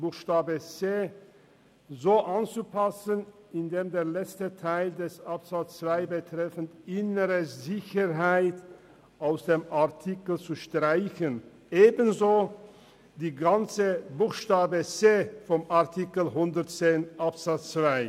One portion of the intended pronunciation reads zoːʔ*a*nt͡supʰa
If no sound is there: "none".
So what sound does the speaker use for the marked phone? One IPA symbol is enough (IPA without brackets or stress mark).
a